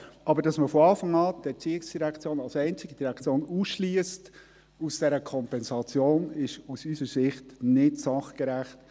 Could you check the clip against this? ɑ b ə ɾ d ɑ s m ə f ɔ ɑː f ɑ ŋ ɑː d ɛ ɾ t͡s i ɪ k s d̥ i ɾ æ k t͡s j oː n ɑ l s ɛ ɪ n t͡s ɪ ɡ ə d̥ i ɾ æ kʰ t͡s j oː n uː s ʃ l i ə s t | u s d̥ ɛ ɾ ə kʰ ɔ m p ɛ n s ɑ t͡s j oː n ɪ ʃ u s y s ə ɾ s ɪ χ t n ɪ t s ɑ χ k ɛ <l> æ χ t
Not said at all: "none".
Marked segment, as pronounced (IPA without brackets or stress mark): ɾ